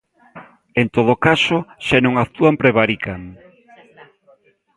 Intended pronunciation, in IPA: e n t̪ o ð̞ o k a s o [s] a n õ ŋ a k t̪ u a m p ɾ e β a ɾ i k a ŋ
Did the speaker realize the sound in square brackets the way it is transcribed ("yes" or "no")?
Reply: no